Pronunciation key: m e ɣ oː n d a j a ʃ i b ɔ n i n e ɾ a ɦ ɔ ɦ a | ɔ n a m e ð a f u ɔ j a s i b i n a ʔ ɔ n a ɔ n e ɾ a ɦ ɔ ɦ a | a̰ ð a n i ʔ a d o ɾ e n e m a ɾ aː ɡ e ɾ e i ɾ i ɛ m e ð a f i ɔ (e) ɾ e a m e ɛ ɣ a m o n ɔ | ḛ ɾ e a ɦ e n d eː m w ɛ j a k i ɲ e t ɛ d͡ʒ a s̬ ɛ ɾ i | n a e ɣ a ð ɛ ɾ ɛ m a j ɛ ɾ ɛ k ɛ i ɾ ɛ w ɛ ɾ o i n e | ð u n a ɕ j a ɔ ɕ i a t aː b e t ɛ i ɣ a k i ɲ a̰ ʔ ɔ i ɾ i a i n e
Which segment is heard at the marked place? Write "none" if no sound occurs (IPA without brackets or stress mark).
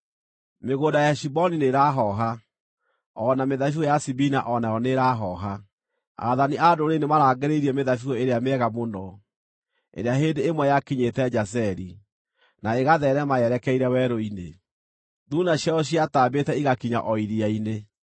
e